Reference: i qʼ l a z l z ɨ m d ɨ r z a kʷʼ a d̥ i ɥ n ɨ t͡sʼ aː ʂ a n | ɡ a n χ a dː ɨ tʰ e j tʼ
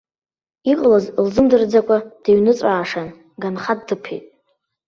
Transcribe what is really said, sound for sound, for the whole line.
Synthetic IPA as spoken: i qʼ l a z l z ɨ m d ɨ r d͡z a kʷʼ a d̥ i ɥ n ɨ t͡sʼ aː ʂ a n | ɡ a n χ a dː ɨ pʰ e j tʼ